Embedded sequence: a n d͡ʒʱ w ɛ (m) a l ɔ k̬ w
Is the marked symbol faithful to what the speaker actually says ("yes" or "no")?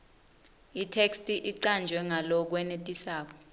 no